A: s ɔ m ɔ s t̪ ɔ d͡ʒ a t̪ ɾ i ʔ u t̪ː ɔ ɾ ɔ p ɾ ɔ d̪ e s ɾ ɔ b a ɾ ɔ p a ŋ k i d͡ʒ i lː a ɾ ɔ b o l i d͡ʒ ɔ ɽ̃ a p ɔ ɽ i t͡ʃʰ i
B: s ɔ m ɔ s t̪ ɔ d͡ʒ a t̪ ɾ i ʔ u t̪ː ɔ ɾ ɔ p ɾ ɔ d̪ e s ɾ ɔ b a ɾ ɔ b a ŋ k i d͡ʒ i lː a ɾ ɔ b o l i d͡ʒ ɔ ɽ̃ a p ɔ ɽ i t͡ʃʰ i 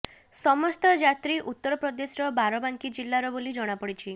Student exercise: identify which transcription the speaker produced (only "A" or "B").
B